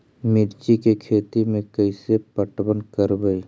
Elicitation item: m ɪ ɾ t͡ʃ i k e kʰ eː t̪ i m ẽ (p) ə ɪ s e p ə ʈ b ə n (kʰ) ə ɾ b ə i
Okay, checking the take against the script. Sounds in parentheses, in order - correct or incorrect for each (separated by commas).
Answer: incorrect, incorrect